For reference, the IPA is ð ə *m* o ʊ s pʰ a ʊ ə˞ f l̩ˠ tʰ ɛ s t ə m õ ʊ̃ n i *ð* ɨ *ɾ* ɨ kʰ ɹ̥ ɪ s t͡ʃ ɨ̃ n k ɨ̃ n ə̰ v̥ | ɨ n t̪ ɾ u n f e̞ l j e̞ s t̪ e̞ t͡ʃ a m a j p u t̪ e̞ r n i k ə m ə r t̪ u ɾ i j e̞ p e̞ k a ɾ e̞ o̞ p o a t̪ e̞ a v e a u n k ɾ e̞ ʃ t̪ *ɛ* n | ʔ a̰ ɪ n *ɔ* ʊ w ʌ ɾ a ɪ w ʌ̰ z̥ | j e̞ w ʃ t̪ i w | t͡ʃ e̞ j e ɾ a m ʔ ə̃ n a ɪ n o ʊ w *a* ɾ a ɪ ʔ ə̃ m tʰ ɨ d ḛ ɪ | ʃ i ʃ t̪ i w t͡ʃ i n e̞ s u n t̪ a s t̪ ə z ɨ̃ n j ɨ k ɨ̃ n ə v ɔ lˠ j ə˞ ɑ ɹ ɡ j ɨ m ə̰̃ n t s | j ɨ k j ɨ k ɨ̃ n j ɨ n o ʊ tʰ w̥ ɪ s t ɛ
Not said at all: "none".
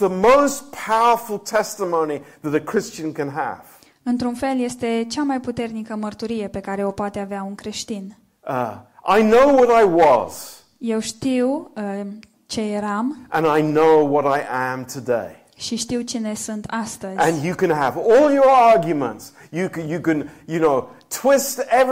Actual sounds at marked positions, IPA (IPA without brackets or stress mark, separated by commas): m, ð, ɾ, i, o, ʌ